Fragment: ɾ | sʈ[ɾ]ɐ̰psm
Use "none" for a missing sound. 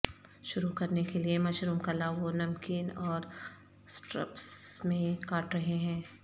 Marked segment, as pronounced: ɾ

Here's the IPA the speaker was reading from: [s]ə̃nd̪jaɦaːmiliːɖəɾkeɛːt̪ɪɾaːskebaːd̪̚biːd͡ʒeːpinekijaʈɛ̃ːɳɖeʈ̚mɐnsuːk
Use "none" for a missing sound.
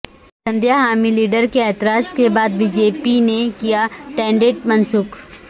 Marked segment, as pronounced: s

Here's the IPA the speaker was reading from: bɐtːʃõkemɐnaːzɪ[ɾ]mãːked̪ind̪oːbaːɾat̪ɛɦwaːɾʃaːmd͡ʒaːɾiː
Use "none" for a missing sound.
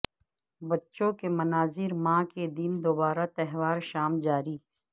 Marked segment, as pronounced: ɾ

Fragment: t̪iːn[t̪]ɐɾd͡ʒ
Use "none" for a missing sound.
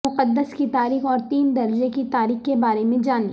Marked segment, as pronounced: d̪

